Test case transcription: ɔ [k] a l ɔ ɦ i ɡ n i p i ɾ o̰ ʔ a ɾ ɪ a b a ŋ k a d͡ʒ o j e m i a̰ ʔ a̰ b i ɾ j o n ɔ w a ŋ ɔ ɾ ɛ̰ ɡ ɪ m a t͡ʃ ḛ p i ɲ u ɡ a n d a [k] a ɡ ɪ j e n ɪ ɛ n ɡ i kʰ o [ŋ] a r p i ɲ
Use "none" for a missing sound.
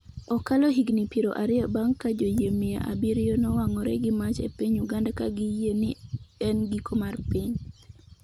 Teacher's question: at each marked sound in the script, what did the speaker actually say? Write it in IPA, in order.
k, k, m

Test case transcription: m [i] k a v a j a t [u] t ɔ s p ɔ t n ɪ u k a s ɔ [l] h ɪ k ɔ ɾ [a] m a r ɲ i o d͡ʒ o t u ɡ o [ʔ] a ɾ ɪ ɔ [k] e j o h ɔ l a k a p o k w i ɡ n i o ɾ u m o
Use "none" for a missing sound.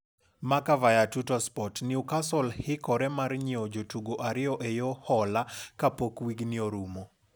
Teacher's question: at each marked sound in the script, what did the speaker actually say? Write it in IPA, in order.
a, u, l, ɛ, ʔ, ʔ

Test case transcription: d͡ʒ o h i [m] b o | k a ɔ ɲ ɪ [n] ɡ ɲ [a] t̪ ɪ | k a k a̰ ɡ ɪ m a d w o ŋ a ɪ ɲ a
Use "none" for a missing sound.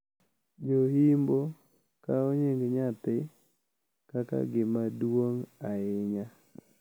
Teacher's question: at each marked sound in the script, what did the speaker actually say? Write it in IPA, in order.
m, ŋ, a

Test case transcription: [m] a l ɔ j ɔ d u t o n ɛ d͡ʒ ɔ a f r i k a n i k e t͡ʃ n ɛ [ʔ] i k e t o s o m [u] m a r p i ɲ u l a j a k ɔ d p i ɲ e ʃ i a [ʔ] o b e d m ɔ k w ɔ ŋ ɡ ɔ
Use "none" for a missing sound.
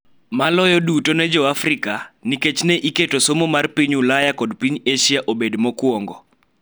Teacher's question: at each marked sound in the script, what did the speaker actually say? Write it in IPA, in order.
m, ʔ, o, ʔ

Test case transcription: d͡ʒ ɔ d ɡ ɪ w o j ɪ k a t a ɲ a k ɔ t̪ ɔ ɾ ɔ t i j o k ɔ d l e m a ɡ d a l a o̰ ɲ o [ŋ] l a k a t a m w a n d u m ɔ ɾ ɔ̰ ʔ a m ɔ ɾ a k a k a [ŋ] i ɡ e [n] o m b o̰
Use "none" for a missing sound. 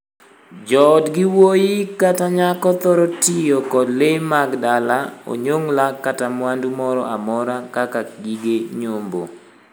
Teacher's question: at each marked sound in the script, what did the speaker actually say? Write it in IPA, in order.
ŋ, ɡ, ɲ

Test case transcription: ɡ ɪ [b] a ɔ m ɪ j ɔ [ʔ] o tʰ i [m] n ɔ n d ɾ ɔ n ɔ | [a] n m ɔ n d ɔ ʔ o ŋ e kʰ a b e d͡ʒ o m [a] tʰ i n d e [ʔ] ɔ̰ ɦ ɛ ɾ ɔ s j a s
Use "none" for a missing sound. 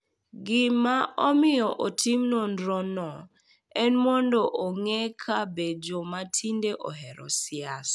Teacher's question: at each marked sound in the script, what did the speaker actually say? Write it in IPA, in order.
m, ʔ, m, ɛ, a, ʔ

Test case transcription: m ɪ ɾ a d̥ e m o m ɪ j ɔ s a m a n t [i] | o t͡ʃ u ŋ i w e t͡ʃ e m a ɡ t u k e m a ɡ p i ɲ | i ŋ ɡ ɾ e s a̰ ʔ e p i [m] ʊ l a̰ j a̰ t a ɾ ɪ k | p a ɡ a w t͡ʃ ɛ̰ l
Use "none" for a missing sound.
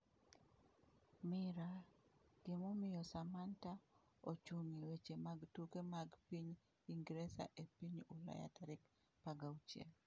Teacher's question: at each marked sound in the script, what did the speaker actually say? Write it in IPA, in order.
a, ɲ

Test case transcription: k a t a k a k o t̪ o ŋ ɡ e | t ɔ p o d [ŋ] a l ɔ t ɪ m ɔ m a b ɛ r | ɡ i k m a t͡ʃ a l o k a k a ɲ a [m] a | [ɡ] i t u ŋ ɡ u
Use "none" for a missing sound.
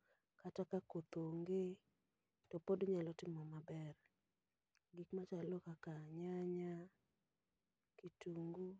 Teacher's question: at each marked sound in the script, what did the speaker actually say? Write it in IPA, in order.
ɲ, ɲ, k

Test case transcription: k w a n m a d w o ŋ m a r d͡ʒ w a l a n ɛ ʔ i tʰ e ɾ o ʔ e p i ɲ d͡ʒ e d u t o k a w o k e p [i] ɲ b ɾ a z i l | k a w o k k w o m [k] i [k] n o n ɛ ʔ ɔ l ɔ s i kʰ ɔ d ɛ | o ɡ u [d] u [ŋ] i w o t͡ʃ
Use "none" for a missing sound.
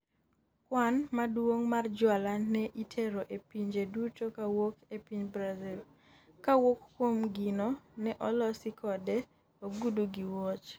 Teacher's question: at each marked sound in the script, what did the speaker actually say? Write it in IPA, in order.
i, ɡ, none, d, ɡ

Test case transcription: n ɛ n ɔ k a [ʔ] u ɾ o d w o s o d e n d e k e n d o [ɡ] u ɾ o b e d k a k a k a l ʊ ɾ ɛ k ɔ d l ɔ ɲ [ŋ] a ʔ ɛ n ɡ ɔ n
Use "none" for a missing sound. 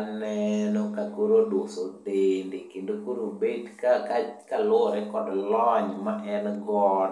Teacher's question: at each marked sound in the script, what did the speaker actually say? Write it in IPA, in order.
k, k, m

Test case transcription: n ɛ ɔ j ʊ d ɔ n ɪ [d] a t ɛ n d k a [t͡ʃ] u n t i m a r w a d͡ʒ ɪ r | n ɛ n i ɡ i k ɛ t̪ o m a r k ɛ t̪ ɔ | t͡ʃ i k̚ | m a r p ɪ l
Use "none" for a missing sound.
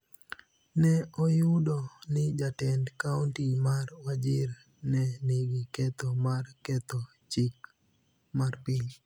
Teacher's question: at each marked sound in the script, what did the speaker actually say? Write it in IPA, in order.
d͡ʒ, none

